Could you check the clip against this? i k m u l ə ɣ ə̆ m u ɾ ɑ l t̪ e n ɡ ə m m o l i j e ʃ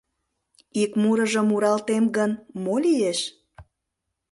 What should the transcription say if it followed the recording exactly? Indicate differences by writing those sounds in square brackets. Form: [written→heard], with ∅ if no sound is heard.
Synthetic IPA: i k m u [l→ɾ] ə [ɣ→ʒ] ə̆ m u ɾ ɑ l t̪ e [n→m] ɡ ə [m→n] m o l i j e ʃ